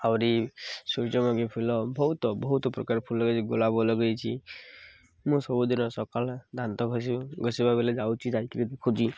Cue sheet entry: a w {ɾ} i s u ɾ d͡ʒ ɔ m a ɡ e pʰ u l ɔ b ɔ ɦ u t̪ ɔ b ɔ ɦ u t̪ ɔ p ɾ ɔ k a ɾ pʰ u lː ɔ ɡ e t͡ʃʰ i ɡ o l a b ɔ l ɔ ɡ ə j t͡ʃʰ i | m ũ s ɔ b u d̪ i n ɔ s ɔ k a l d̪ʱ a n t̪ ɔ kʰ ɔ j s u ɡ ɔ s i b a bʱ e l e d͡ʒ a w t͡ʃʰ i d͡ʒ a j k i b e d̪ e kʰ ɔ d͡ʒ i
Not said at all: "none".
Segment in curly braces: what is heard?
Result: ɾ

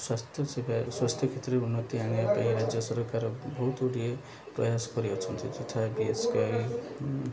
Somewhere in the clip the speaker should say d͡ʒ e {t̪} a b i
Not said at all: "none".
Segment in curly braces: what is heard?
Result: t̪ʰ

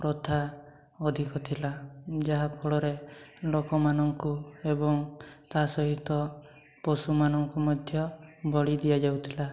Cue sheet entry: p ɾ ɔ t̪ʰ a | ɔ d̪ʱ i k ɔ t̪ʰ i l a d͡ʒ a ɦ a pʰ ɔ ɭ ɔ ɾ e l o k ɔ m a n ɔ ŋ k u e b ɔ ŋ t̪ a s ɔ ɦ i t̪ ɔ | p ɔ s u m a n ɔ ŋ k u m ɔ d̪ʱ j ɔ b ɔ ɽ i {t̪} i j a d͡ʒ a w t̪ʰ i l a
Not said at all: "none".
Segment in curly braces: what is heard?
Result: d̪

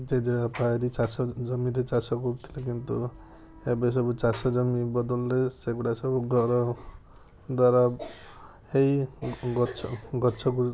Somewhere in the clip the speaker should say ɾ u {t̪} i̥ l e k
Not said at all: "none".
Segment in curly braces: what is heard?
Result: t̪ʰ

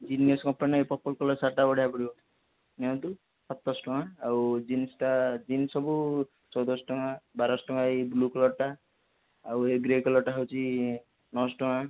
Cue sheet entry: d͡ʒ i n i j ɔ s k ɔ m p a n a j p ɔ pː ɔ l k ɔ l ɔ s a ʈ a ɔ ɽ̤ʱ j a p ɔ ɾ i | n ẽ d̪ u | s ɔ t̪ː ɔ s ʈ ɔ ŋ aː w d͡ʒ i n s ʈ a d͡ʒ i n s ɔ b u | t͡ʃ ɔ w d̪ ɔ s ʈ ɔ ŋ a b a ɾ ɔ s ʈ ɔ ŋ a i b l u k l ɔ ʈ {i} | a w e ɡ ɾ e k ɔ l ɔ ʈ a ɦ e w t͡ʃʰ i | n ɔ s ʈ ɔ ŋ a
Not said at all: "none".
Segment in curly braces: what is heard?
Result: a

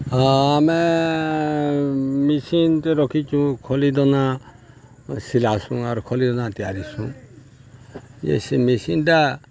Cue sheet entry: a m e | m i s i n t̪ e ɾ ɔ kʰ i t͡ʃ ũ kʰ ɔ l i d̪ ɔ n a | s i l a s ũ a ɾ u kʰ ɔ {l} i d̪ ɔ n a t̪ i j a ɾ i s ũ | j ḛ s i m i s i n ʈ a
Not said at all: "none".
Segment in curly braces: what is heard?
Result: l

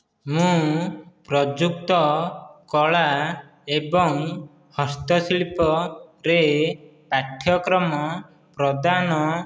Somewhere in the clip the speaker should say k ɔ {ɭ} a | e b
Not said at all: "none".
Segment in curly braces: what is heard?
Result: ɭ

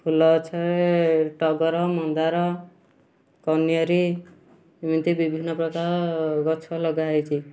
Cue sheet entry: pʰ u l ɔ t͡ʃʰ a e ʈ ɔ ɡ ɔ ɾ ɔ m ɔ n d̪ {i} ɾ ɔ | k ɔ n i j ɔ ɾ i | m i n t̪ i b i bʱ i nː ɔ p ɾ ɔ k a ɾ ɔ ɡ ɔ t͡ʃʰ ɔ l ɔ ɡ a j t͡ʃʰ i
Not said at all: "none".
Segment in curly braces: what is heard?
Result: a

